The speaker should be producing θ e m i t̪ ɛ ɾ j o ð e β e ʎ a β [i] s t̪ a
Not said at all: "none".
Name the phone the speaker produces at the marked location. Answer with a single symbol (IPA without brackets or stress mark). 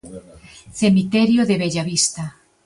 i